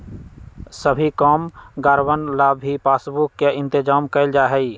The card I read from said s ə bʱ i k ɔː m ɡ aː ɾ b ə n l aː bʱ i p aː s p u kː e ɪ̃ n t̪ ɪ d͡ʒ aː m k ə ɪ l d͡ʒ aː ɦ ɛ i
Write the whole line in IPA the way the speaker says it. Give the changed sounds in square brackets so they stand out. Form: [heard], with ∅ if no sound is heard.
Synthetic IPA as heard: s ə bʱ i k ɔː m ɡ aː ɾ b ə n l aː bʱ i p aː s [b] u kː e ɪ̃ n t̪ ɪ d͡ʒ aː m k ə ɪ l d͡ʒ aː ɦ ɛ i